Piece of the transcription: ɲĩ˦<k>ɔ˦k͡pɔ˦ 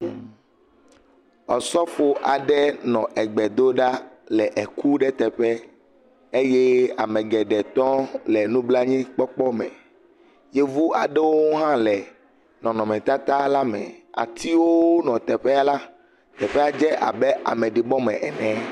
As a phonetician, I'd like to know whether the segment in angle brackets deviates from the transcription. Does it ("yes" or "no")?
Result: yes